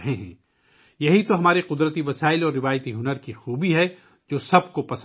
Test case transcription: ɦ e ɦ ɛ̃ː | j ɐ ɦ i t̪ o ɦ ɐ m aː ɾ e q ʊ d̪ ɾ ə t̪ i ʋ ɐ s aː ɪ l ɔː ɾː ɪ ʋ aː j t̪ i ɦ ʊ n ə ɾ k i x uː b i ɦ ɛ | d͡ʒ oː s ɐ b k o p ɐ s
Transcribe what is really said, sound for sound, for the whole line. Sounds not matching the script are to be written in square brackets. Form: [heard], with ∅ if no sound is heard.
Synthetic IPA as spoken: ɦ e ɦ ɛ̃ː | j ɐ ɦ i t̪ o ɦ ɐ m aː ɾ e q ʊ d̪ ɾ ə t̪ i ʋ ɐ s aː ɪ l ɔː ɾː ɪ ʋ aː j t̪ i ɦ ʊ n ə ɾ k i x uː b i ɦ ɛ | d͡ʒ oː s ɐ b k o p ɐ s